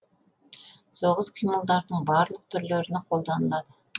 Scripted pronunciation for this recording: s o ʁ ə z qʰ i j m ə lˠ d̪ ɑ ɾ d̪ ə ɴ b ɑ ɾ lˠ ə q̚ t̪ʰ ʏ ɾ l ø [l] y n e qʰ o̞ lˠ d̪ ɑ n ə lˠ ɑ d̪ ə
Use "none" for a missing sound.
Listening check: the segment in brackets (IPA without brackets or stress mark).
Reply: ɾ